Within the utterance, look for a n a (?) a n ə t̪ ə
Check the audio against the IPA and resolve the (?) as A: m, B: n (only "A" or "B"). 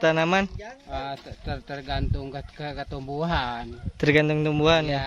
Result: A